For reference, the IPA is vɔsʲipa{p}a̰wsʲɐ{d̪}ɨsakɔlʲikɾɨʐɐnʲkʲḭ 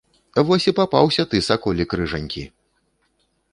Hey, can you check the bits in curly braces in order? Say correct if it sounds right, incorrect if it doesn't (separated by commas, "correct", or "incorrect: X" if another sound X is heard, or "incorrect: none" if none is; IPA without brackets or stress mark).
correct, incorrect: t̪